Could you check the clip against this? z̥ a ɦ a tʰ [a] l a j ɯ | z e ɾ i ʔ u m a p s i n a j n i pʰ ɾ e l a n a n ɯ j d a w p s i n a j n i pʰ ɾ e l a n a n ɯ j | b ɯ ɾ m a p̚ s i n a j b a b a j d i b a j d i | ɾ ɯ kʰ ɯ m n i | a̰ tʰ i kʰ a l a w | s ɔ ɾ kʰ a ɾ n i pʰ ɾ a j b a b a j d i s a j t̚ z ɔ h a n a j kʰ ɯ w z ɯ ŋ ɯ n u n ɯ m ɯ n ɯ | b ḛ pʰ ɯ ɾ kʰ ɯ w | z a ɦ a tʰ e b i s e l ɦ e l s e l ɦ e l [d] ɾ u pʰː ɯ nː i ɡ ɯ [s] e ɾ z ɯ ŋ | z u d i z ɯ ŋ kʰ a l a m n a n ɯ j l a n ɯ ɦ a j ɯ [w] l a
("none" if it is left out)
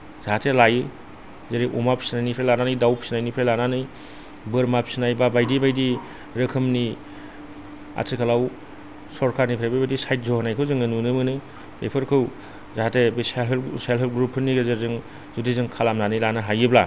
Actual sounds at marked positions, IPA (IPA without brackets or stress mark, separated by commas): e, ɡ, z, b